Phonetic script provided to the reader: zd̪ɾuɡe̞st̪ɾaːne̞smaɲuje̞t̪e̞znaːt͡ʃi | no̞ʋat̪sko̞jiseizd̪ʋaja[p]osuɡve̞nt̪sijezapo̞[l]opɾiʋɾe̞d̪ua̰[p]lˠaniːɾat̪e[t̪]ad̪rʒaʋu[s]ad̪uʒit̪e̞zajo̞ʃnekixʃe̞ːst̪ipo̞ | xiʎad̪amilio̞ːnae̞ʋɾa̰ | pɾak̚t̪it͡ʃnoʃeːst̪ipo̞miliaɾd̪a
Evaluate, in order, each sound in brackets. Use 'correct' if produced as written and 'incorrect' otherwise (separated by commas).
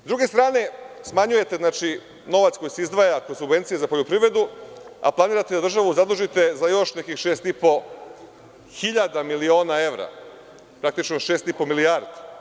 incorrect, incorrect, correct, incorrect, incorrect